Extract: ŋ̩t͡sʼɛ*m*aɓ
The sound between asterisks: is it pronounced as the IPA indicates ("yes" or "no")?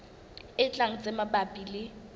yes